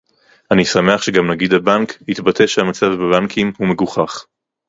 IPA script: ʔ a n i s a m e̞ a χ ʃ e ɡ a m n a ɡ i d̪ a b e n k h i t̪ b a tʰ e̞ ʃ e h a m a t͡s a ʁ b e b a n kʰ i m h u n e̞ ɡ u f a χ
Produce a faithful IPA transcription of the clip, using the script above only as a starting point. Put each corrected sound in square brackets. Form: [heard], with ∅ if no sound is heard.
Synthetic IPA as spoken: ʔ a n i s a m e̞ a χ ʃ e ɡ a m n a ɡ i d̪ a b [a] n k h i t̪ b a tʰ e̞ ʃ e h a m a t͡s a [v] b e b a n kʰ i m h u [m] e̞ ɡ u [χ] a χ